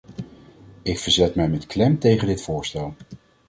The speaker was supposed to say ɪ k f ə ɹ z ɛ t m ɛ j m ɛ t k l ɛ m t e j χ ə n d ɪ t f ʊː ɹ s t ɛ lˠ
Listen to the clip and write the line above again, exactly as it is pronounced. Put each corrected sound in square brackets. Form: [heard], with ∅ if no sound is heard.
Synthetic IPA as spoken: ɪ k f ə ɹ z ɛ t m ɛ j m ɛ t k l ɛ m t e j χ ə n d ɪ t f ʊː ɹ s t ɛ lˠ